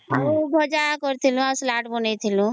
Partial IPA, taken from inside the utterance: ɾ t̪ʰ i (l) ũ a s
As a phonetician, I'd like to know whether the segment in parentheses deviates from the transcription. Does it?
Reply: no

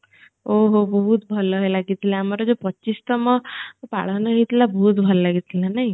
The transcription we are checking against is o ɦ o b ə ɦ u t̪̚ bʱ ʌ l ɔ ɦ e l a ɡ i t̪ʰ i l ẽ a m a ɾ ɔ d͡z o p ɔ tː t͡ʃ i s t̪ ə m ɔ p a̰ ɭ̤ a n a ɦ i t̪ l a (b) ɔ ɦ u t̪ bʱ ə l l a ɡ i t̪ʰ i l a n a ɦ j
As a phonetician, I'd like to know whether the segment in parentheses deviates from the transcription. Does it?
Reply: no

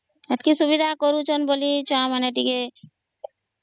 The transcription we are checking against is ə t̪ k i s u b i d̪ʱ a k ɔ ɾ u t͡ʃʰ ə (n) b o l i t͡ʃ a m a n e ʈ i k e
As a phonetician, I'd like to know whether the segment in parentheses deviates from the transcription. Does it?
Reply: no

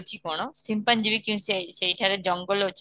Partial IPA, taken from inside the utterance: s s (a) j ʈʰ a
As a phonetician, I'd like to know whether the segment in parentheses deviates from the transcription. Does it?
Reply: yes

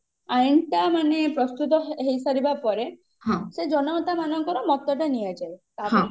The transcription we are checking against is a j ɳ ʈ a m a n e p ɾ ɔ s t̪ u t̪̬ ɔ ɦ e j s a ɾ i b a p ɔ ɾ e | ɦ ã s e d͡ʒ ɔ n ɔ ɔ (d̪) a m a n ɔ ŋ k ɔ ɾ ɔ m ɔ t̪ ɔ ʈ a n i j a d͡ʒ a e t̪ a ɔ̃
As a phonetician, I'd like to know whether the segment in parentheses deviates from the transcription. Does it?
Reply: yes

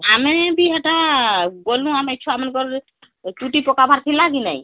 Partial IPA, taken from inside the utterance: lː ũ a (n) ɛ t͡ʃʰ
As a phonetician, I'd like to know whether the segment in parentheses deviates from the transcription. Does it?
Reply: yes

